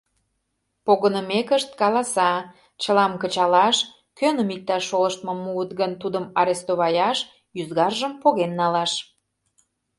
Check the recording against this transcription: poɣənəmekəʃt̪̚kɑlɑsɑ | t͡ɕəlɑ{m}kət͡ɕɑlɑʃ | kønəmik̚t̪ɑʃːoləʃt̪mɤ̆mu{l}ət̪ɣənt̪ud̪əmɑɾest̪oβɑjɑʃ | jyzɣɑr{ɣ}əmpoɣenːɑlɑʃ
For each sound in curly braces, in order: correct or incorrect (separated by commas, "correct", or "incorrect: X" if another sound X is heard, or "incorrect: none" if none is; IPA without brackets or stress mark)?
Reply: correct, incorrect: none, incorrect: ʒ